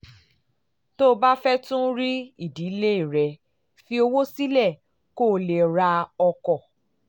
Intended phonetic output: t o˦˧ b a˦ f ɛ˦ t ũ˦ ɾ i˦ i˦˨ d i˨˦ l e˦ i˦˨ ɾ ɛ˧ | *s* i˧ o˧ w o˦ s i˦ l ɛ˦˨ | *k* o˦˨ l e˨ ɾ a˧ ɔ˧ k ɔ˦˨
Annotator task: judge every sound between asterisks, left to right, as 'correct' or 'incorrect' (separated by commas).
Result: incorrect, correct